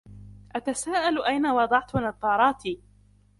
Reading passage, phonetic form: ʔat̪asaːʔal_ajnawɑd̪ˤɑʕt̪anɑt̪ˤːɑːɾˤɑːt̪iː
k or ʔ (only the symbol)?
ʔ